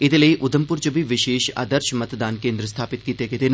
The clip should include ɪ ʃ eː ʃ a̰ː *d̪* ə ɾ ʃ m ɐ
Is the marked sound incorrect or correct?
correct